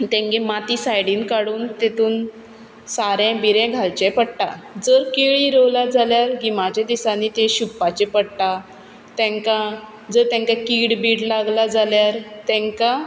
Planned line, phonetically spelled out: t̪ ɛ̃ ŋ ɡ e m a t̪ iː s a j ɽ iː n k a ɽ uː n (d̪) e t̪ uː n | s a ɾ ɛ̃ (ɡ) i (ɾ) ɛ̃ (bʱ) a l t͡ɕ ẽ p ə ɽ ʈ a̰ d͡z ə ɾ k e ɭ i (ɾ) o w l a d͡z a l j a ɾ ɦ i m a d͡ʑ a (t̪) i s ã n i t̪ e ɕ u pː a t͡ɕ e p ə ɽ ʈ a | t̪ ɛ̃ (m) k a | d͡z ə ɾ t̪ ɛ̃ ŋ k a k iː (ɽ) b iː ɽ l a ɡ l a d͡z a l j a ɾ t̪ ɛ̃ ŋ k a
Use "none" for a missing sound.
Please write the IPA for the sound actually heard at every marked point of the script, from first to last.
t̪, b, ɾ, ɡʱ, ɾ, d̪, ŋ, ɽ

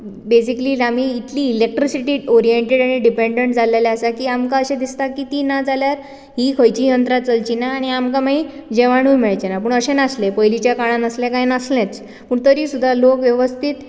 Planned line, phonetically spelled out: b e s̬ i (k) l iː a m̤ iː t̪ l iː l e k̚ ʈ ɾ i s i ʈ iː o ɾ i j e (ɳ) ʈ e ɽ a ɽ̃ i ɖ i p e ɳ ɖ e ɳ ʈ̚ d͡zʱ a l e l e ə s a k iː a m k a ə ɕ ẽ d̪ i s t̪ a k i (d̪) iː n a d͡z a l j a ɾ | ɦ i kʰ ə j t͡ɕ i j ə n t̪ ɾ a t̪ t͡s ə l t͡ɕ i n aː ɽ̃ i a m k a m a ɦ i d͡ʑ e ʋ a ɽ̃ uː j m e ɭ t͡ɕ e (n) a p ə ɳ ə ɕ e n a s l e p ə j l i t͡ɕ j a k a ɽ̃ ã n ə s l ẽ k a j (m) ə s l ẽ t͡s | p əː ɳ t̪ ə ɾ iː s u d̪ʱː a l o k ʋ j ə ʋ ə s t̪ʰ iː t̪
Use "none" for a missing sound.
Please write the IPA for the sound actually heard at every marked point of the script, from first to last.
k, ɳ, t̪, n, n

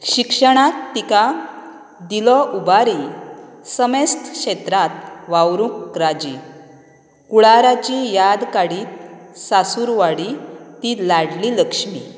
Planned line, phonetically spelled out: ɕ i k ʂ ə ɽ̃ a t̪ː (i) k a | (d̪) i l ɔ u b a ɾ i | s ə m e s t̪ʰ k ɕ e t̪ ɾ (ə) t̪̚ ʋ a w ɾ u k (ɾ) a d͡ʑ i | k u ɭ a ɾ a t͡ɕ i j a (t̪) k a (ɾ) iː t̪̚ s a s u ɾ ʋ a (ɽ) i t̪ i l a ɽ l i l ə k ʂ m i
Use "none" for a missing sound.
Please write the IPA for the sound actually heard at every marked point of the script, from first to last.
i, d̪, a, ɾ, d̪, ɽ, ɽ

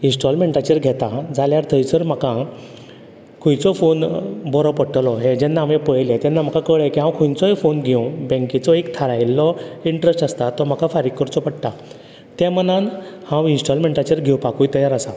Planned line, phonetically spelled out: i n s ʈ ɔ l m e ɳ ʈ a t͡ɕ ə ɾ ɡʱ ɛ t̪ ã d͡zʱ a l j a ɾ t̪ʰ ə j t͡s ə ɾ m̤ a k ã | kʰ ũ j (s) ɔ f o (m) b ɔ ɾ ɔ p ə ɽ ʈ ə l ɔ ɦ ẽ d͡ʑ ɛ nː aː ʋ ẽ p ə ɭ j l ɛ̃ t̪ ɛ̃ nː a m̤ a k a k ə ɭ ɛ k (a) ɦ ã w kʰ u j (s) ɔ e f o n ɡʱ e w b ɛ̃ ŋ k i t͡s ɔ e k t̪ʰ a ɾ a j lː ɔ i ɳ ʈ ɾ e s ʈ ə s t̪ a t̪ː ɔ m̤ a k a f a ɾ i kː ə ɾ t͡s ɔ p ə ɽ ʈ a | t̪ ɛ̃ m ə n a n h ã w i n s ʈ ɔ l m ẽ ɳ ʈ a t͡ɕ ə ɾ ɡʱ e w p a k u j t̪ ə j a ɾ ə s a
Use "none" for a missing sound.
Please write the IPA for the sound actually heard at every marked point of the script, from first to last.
t͡s, n, i, t͡s

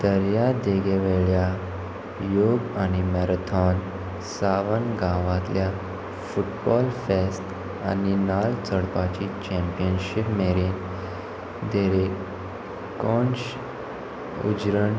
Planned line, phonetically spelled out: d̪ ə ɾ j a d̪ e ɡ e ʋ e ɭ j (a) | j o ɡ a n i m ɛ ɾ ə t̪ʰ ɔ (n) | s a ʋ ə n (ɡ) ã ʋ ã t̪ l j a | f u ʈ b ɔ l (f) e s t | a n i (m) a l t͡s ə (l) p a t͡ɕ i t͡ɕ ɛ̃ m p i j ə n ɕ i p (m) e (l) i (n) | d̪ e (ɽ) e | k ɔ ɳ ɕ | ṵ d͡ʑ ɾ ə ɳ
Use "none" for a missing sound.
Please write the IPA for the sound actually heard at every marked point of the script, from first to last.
a, n, ɡ, f, n, ɽ, m, ɾ, n, ɾ

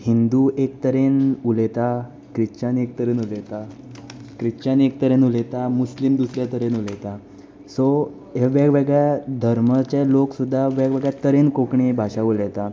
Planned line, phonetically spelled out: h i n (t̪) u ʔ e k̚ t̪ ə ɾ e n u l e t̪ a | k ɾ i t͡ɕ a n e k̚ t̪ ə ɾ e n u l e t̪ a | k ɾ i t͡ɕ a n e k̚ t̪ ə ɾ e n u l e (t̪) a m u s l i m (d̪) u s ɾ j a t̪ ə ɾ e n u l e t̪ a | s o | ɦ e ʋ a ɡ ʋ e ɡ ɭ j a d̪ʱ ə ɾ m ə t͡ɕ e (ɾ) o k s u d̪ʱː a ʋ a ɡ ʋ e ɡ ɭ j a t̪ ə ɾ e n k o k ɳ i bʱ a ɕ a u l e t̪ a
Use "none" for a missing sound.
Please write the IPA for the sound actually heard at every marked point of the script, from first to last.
d̪, t̪, d̪, l

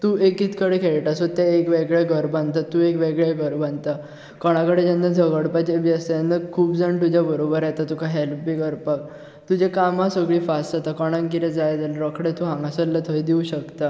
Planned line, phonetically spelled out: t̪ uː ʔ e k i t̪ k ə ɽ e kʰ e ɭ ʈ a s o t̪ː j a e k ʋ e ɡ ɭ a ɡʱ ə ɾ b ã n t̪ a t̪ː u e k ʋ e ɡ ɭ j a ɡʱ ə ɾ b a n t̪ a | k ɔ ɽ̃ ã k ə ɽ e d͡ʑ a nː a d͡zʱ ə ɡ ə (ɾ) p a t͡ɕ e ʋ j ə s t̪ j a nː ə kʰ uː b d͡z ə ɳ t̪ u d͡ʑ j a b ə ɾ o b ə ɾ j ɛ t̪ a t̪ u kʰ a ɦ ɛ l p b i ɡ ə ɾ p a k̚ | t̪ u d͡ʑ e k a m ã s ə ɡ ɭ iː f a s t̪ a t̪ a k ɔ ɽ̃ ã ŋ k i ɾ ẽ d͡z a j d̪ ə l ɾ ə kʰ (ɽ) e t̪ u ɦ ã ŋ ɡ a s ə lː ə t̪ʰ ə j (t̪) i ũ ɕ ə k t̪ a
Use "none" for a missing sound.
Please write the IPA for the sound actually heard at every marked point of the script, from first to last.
ɽ, ɽ, d̪

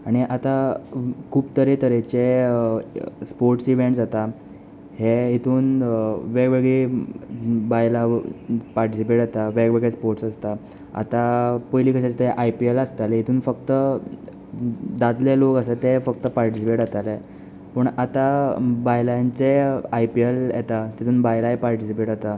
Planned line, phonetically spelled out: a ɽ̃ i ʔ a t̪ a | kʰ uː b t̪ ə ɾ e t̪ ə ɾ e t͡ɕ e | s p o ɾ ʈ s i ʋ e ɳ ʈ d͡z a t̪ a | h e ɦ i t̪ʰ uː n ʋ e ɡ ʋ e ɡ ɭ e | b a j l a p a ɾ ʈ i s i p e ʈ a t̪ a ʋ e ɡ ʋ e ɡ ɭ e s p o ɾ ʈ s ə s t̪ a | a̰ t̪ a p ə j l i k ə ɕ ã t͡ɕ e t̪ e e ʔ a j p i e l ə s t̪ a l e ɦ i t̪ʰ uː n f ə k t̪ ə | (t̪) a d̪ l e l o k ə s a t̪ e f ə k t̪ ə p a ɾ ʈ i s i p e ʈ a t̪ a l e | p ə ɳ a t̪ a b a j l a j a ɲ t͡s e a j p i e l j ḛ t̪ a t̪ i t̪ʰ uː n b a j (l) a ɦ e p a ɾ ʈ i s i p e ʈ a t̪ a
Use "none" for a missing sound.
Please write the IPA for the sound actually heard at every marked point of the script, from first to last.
d̪, l

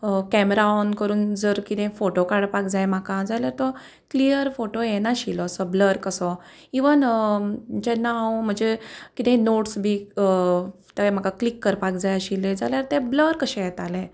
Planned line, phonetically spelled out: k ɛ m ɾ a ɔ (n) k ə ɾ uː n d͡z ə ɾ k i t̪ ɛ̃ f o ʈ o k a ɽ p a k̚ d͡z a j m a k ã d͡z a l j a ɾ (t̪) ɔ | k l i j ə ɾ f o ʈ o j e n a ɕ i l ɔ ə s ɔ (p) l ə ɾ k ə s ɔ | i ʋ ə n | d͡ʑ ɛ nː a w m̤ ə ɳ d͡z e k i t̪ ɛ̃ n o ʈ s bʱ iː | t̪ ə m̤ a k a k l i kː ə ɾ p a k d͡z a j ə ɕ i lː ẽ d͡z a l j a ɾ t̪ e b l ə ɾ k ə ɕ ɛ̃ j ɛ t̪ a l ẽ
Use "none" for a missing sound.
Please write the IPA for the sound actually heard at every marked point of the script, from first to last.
n, t̪, b

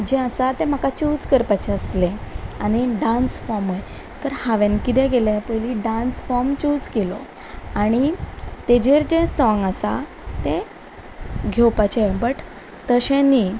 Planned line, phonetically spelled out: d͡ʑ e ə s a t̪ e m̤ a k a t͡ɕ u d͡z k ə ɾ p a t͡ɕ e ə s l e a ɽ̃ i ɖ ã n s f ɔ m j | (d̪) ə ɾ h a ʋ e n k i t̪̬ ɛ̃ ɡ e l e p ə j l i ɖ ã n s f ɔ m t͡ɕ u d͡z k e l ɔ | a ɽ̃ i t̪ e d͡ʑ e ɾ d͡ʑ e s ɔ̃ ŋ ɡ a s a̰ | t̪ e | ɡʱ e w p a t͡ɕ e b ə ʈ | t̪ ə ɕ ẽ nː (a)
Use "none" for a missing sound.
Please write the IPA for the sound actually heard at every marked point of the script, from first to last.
t̪, i

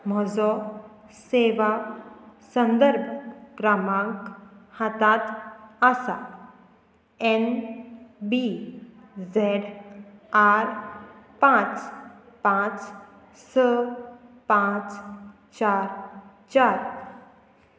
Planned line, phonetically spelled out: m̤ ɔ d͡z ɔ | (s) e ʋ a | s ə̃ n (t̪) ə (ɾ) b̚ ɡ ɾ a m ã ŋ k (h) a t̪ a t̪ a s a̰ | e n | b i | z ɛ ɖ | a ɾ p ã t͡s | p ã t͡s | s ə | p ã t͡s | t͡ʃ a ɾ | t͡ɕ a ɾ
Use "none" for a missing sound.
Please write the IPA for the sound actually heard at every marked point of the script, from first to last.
s, d̪, ɾ, h

